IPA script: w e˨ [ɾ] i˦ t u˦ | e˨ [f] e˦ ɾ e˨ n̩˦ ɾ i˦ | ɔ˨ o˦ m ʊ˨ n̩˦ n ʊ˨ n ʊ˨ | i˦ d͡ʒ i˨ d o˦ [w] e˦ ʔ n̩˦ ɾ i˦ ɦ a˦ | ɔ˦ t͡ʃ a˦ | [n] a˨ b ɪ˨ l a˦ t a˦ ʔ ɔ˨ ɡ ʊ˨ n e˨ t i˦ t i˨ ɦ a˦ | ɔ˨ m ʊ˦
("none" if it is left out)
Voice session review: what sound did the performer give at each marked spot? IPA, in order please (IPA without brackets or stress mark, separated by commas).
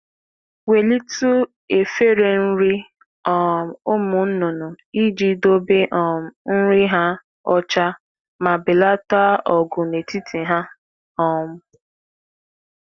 l, f, b, m